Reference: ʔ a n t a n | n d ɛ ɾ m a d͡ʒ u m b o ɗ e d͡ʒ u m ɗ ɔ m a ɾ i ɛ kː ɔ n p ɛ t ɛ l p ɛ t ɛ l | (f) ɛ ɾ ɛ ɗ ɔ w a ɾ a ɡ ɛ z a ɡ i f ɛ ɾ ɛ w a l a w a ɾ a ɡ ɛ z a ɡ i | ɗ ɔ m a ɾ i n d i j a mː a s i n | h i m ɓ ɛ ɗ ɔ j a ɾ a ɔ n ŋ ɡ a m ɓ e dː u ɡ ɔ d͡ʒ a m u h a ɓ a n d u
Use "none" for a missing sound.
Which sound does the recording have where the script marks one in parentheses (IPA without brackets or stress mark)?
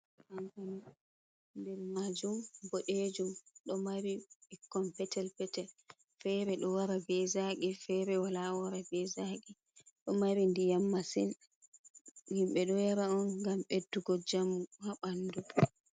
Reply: f